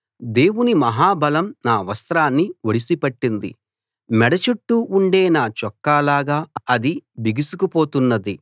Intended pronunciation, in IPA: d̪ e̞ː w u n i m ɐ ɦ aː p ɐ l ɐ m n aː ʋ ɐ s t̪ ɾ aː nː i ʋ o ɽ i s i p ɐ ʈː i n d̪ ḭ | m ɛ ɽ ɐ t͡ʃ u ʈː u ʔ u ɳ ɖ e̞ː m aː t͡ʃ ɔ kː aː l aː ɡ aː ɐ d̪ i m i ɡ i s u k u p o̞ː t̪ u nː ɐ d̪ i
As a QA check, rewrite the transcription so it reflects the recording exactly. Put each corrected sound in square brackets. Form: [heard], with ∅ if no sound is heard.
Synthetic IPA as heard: d̪ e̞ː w u n i m ɐ ɦ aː [b] ɐ l ɐ m n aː ʋ ɐ s t̪ ɾ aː nː i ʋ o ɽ i s i p ɐ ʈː i n d̪ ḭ | m ɛ ɽ ɐ t͡ʃ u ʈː u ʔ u ɳ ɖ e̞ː [n] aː t͡ʃ ɔ kː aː l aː ɡ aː ɐ d̪ i [b] i ɡ i s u k u p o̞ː t̪ u nː ɐ d̪ i